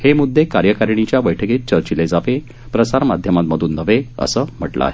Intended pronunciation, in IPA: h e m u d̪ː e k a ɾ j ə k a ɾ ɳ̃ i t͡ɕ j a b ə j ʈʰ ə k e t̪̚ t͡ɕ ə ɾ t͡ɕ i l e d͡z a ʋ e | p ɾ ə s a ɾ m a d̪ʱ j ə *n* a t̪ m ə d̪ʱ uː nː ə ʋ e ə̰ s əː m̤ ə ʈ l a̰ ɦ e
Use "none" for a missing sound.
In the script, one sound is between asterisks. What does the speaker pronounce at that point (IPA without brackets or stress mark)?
m